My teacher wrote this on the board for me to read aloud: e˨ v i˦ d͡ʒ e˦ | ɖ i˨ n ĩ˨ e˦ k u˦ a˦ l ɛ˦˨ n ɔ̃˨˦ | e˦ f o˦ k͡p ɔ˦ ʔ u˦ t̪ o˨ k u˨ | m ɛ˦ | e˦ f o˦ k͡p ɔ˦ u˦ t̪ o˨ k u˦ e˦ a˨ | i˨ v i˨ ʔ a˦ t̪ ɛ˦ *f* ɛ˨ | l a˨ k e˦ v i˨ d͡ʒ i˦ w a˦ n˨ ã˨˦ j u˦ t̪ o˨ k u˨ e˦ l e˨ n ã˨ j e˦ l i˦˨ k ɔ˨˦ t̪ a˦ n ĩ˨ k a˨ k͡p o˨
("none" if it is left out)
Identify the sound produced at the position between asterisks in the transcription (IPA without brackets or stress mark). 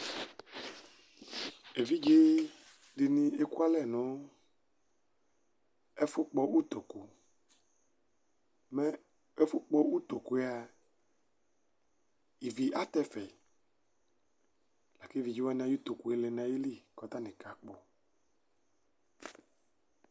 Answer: f